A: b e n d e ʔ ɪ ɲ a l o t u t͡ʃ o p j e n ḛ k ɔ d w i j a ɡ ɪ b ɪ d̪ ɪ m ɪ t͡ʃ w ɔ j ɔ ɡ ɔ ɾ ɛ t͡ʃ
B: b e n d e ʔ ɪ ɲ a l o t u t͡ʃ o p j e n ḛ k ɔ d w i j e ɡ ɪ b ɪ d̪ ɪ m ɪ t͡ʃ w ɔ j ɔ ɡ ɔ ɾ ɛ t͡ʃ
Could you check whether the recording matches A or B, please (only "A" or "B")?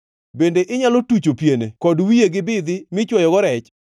B